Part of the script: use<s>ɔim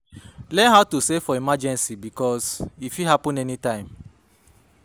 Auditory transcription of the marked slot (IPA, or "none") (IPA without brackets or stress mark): f